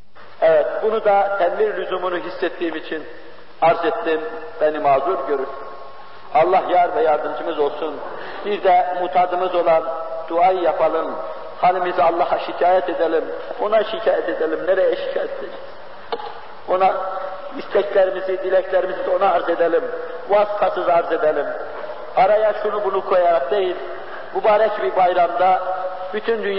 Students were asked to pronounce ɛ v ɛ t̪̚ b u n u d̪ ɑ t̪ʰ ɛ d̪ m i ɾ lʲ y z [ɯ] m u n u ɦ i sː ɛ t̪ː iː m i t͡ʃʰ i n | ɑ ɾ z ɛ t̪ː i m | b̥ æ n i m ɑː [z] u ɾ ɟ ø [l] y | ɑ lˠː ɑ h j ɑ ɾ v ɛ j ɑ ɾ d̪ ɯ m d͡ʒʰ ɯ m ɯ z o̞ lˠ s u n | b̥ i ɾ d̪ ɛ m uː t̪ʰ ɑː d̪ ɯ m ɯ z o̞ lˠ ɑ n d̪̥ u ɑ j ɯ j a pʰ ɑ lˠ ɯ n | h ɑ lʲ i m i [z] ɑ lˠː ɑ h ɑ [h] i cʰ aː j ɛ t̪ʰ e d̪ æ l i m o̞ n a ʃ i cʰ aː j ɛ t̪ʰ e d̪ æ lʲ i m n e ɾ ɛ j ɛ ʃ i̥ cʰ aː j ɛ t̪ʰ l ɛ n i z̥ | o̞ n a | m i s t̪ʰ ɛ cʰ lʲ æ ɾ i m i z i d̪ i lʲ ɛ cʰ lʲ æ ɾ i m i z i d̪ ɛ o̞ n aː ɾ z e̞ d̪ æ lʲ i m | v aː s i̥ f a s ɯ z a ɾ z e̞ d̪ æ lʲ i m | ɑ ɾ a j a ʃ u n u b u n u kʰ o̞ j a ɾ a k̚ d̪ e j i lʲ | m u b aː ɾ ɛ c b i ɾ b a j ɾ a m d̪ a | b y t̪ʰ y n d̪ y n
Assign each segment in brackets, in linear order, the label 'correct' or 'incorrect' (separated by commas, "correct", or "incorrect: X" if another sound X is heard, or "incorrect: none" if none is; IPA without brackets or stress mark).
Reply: incorrect: u, correct, incorrect: ɾ, correct, incorrect: ʃ